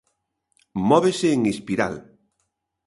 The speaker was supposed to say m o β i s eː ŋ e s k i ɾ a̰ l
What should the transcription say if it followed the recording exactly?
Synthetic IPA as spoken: m ɔ β e s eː ŋ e s p i ɾ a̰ l